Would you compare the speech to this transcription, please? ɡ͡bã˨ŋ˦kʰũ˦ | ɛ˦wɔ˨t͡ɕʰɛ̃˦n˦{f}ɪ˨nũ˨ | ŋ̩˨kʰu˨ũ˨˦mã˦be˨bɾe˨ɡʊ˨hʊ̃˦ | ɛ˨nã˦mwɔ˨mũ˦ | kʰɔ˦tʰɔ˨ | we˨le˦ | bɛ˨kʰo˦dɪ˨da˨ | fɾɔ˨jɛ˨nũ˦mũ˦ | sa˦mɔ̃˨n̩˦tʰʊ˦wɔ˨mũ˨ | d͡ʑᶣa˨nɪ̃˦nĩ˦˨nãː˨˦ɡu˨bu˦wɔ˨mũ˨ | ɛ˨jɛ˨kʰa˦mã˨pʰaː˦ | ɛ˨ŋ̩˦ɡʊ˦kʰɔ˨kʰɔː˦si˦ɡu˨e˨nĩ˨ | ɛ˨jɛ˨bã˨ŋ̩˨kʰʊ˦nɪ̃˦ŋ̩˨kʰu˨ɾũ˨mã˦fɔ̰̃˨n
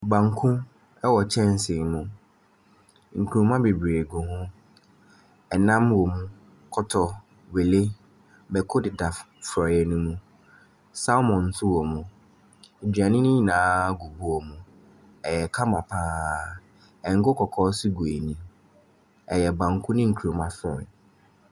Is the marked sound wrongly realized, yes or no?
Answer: yes